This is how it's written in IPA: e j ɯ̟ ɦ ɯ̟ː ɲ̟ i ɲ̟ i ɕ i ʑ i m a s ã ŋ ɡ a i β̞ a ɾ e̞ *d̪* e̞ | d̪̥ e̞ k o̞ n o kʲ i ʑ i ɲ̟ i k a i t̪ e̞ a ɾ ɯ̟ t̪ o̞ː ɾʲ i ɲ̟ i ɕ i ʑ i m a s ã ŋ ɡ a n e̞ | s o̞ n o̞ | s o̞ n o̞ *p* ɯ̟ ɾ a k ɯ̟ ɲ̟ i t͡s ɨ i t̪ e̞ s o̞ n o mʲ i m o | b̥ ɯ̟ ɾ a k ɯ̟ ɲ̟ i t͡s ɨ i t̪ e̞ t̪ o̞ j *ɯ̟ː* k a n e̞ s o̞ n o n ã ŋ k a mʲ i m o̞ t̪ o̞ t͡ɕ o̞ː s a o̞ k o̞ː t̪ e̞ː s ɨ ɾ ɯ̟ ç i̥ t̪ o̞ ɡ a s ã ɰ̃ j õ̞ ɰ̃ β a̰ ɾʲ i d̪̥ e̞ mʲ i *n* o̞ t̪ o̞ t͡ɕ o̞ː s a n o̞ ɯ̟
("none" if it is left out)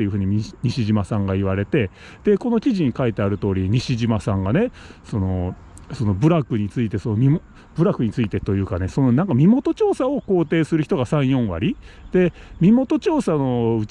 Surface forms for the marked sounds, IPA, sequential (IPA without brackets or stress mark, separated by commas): t̪, b, ɯ̟ː, m